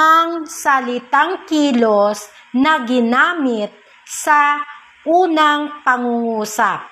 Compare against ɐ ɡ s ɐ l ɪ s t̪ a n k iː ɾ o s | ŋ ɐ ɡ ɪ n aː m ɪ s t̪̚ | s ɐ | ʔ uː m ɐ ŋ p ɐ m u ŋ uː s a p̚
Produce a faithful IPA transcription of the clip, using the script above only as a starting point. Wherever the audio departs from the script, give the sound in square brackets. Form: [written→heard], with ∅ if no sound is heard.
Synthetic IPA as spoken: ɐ [ɡ→ŋ] s ɐ l ɪ [s→∅] t̪ a [n→ŋ] k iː [ɾ→l] o s | [ŋ→n] ɐ ɡ ɪ n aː m ɪ [s→∅] t̪̚ | s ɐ | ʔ uː [m→n] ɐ ŋ p ɐ [m→ŋ] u ŋ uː s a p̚